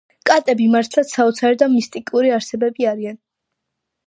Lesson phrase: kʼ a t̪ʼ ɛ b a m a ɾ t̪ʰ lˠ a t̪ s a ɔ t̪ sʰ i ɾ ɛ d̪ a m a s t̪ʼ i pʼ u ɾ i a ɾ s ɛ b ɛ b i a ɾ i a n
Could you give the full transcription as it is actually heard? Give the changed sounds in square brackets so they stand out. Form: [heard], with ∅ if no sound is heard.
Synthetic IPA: kʼ a t̪ʼ ɛ b [i] m a ɾ t̪ʰ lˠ a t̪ s a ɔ t̪ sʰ [a] ɾ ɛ d̪ a m [i] s t̪ʼ i [kʼ] u ɾ i a ɾ s ɛ b ɛ b i a ɾ i a n